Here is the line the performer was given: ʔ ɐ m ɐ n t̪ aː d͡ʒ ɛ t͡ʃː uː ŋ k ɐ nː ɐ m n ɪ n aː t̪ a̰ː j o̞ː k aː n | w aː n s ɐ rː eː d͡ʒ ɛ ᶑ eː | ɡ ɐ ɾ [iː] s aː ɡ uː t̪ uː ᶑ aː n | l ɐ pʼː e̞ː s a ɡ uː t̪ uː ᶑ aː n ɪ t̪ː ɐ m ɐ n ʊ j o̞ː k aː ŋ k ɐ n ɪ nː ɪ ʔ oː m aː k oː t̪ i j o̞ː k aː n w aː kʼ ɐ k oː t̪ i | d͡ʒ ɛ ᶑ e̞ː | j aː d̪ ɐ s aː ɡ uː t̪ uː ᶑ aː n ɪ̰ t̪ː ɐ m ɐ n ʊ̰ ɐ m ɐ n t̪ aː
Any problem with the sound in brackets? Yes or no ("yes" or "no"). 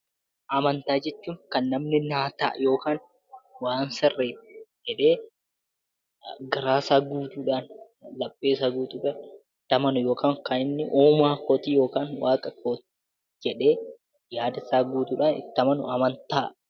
yes